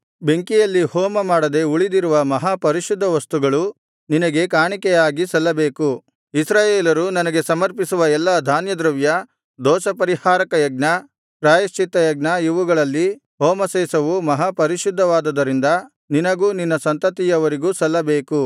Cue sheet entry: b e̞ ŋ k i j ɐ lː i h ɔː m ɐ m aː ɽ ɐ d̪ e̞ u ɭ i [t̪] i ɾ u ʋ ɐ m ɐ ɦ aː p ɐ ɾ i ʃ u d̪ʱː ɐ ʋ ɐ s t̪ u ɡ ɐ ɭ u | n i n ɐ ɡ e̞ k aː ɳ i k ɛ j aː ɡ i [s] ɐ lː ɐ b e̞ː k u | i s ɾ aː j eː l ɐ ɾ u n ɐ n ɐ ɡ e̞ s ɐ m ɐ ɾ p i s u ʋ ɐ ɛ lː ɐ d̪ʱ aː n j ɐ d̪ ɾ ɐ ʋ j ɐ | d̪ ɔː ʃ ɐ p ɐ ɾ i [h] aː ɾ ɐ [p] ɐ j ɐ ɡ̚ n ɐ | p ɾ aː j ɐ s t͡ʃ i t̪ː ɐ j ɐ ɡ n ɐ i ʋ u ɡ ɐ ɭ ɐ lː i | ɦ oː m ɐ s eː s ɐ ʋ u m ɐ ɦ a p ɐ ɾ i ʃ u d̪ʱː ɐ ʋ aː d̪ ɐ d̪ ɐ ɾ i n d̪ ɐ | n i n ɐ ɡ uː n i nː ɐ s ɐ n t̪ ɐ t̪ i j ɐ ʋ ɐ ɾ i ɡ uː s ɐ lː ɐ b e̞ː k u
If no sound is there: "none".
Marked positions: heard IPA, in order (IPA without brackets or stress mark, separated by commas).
d̪, s, h, k